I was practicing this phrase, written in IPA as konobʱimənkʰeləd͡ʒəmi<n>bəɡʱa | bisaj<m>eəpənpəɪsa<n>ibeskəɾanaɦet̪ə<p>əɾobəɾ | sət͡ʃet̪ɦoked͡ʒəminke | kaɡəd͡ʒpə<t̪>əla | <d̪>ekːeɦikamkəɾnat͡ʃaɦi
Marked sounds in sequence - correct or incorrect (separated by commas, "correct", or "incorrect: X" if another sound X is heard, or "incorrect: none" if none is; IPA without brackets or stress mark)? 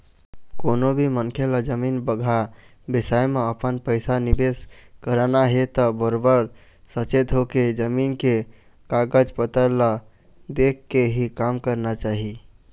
correct, correct, correct, incorrect: b, correct, correct